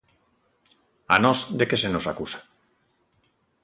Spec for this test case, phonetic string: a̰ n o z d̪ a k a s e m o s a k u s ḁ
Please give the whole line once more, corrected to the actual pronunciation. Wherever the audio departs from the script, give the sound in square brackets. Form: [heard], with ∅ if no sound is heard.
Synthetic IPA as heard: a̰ n o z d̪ [e] k [e] s e [n] o s a k u s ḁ